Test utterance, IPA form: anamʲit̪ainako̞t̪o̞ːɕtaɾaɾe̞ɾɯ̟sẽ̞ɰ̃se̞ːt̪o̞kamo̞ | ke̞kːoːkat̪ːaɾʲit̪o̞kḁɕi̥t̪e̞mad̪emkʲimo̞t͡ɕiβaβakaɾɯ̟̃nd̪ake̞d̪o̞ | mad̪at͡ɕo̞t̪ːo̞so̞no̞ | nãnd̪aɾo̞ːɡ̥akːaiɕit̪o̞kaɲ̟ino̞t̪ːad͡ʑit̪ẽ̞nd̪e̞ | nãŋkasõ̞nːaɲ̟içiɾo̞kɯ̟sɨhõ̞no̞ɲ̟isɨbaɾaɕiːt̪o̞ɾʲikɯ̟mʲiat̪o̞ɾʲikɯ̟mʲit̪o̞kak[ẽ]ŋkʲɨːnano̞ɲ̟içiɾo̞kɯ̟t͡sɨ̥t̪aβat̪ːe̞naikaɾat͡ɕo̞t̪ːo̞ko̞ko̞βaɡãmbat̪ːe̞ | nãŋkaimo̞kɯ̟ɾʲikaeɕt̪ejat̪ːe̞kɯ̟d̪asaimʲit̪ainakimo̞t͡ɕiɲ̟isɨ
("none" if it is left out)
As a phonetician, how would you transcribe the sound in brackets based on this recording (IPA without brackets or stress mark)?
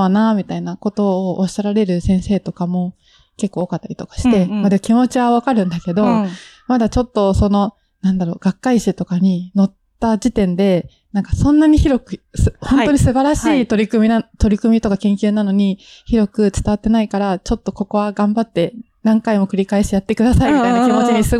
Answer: ẽ